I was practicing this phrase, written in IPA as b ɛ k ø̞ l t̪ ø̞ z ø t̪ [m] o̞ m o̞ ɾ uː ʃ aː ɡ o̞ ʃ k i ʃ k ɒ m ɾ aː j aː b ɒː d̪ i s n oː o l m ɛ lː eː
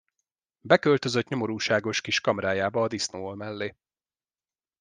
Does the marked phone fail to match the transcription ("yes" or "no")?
yes